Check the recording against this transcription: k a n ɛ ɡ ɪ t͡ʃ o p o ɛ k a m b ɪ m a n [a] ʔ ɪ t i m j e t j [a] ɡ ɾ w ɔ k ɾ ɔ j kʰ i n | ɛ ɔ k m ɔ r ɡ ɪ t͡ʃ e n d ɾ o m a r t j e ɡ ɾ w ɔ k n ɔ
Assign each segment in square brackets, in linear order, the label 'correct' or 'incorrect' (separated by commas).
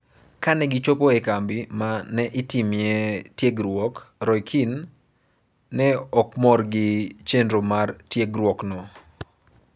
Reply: incorrect, incorrect